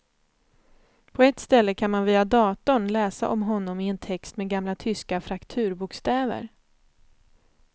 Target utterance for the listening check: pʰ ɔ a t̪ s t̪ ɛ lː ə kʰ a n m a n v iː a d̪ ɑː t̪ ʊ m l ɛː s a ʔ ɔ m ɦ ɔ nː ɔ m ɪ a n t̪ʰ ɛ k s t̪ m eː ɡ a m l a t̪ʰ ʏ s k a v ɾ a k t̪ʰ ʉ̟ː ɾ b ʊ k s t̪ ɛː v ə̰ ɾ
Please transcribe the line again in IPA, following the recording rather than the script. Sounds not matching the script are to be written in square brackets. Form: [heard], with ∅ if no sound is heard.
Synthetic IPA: pʰ ɔ [ɛ] t̪ s t̪ ɛ lː ə kʰ a n m a n v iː a d̪ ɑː t̪ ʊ [ɳ] l ɛː s a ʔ ɔ m ɦ ɔ nː ɔ m ɪ [ɛ] n t̪ʰ ɛ k s t̪ m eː ɡ a m l a t̪ʰ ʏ s k a [f] ɾ a k t̪ʰ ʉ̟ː ɾ b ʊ k s t̪ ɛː v ə̰ ɾ